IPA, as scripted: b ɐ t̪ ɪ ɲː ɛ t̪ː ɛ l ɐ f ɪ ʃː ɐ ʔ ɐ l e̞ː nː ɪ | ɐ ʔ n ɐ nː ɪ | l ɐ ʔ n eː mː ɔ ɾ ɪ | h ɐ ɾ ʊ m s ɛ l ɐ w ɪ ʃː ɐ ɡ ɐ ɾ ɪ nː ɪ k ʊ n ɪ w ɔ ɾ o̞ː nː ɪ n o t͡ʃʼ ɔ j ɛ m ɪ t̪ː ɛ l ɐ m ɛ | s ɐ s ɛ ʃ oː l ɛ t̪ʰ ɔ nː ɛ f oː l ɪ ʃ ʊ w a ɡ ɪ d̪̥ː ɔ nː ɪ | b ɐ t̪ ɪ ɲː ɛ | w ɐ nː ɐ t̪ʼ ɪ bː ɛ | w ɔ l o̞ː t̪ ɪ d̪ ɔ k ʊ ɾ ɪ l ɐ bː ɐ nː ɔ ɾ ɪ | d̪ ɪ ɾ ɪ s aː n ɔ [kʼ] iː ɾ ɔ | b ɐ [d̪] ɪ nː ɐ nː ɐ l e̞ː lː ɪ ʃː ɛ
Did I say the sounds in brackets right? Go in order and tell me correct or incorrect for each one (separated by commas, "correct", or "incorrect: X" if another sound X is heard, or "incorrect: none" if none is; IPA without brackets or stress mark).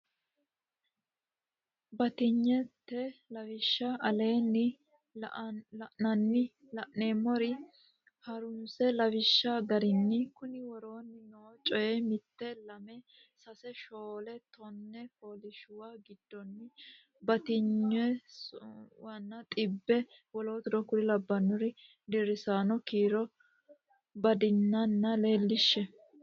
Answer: incorrect: k, correct